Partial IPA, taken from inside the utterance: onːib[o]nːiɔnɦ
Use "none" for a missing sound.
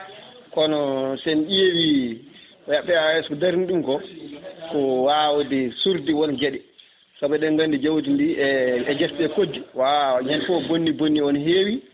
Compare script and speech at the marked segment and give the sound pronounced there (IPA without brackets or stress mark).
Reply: o